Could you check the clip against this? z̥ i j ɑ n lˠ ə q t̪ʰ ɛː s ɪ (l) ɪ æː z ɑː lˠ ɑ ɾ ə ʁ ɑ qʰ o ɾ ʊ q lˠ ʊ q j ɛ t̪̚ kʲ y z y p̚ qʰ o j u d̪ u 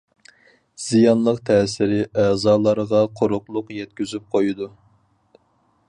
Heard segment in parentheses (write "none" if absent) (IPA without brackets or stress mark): ɾ